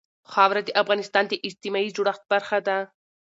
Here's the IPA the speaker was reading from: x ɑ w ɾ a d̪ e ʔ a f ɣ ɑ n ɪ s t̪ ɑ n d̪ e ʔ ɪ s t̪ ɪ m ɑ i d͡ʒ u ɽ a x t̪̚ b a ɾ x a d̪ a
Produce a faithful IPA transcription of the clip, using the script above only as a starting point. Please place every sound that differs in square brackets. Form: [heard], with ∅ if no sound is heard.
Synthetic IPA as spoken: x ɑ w ɾ a d̪ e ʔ a f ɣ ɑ n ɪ s t̪ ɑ n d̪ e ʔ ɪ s t̪ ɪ m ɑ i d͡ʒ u ɽ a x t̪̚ b a ɾ x a d̪ a